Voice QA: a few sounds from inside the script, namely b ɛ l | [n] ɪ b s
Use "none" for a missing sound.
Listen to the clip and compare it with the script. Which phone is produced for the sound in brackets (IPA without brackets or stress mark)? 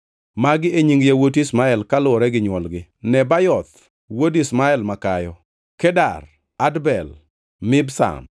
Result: m